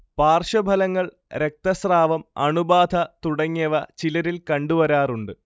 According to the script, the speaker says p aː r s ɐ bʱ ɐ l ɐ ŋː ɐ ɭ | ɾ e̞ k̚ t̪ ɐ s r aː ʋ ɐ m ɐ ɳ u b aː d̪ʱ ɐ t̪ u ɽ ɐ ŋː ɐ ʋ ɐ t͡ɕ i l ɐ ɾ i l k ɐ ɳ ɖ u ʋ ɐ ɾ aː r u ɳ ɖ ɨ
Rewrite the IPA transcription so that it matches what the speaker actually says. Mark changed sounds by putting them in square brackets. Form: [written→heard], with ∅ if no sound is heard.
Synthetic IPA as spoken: p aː r [s→ʂ] ɐ bʱ ɐ l ɐ ŋː ɐ ɭ | ɾ e̞ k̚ t̪ ɐ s r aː ʋ ɐ m ɐ ɳ u b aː d̪ʱ ɐ t̪ u ɽ ɐ ŋː ɐ ʋ ɐ t͡ɕ i l ɐ ɾ i l k ɐ ɳ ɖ u ʋ ɐ ɾ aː r u ɳ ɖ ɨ